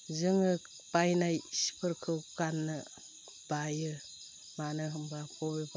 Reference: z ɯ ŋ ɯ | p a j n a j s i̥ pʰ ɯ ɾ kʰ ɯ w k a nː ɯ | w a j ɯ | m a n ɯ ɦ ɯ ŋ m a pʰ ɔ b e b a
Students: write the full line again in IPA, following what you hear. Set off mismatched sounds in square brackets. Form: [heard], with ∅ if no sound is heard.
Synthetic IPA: z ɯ ŋ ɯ | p a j n a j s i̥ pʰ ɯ ɾ kʰ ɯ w k a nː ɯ | [b] a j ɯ | m a n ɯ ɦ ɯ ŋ [b] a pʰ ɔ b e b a

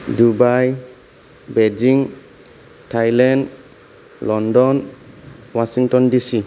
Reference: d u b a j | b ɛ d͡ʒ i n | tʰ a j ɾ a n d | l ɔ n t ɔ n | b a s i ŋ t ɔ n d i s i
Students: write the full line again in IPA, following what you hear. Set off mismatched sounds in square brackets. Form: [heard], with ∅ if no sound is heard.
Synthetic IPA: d u b a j | b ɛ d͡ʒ i [ŋ] | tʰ a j [l] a n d | l ɔ n [d] ɔ n | [w] a s i ŋ t ɔ n d i s i

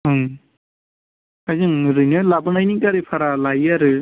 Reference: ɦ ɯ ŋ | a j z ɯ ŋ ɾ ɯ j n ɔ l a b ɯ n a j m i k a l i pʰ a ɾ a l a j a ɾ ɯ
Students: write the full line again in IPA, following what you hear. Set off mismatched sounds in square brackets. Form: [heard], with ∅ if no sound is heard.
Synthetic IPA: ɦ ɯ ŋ | a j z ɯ ŋ ɾ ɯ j n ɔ l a b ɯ n a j [n] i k a [ɾ] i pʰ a ɾ a l a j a ɾ ɯ

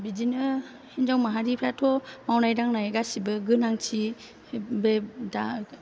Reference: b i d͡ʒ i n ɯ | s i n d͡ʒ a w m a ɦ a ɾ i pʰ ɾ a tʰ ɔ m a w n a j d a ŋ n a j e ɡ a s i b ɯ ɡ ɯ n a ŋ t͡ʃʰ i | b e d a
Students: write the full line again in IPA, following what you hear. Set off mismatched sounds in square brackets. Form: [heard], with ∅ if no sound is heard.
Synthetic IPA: b i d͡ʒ i n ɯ | [h] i n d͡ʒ a w m a ɦ a ɾ i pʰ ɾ a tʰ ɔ m a w n a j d a ŋ n a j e ɡ a s i b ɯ ɡ ɯ n a ŋ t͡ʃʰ i | b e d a

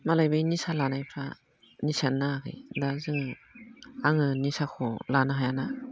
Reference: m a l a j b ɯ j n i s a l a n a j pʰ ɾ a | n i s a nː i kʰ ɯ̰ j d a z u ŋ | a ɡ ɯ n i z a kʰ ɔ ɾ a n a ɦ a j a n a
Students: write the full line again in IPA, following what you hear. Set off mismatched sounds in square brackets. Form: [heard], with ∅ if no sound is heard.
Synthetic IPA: m a l a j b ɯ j n i s a l a n a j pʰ ɾ a | n i s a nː [a] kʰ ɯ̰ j d a z [ɯ] ŋ | a [ŋ] ɯ n i [s] a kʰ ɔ [l] a n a ɦ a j a n a

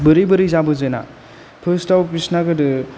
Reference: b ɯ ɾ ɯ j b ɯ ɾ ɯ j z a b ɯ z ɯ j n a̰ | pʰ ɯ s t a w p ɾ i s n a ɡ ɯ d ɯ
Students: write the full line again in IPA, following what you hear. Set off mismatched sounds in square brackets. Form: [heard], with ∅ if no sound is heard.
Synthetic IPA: b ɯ ɾ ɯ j b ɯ ɾ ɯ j z a b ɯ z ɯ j n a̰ | pʰ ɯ s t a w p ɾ i s n a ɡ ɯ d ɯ

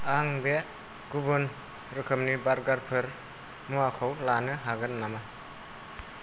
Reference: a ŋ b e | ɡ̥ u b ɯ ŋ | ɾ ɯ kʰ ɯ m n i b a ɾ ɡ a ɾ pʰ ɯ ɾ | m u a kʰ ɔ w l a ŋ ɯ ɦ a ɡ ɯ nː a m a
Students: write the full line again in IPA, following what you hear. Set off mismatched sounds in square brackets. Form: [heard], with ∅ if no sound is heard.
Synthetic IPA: a ŋ b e | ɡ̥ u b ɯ [n] | ɾ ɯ kʰ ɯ m n i b a ɾ ɡ a ɾ pʰ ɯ ɾ | m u a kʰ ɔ w l a [n] ɯ ɦ a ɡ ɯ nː a m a

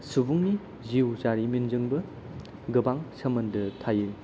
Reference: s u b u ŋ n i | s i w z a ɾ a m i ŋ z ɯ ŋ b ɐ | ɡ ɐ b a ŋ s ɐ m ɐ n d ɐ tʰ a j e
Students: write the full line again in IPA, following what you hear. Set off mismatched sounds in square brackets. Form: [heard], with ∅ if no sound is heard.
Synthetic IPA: s u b u ŋ n i | [z] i w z a ɾ [i] m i [n] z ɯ ŋ b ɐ | ɡ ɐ b a ŋ s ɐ m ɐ n d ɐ tʰ a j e

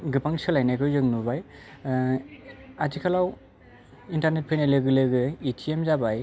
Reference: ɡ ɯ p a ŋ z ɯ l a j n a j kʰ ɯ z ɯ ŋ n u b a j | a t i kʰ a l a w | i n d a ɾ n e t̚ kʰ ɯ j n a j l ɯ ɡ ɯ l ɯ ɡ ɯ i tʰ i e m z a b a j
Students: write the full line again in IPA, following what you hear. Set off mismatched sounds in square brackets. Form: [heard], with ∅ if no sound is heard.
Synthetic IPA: ɡ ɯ p a ŋ [s] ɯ l a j n a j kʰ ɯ z ɯ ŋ n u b a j | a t i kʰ a l a w | i n [t] a ɾ n e t̚ [pʰ] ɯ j n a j l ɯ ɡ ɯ l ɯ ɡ ɯ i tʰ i e m z a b a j

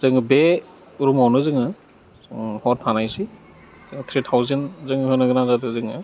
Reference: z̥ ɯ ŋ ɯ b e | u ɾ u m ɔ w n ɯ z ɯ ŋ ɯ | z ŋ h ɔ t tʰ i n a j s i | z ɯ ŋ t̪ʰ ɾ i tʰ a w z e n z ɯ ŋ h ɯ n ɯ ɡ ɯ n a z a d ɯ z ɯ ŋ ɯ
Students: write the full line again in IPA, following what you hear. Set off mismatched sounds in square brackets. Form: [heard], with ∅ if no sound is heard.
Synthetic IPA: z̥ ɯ ŋ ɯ b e | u ɾ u m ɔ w n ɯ z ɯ ŋ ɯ | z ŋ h ɔ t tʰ [a] n a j s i | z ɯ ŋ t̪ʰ ɾ i tʰ a w z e n z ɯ ŋ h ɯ n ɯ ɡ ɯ n a z a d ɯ z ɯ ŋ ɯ

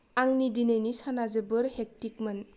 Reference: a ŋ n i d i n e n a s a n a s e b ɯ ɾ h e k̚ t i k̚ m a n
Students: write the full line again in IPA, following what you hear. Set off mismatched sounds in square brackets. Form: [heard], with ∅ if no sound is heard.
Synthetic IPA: a ŋ n i d i n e n [i] s a n a [z] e b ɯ ɾ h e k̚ t i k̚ m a n

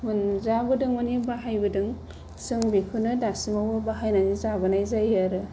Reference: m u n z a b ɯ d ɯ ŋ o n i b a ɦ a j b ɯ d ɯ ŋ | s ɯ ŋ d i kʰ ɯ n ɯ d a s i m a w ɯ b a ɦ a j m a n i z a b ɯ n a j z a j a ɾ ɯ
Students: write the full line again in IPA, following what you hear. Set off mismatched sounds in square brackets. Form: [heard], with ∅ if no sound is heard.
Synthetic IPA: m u n z a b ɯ d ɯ ŋ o n i b a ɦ a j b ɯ d ɯ ŋ | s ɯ ŋ [b] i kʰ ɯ n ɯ d a s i m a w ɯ b a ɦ a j [n] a n i z a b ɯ n a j z a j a ɾ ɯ

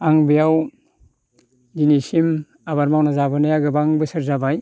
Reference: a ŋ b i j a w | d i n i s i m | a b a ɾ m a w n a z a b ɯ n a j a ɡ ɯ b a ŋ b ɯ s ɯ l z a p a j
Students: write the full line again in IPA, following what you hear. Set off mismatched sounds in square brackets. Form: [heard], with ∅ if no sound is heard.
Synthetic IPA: a ŋ b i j a w | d i n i s i m | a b a ɾ m a w n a z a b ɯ n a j a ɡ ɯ b a ŋ b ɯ s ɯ [ɾ] z a [b] a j

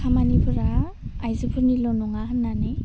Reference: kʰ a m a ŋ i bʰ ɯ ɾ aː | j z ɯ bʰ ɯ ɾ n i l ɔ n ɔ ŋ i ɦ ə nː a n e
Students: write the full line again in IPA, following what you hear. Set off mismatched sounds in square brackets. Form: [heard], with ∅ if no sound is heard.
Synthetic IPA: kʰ a m a [n] i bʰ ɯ ɾ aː | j z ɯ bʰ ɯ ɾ n i l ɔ n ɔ ŋ [a] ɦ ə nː a n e

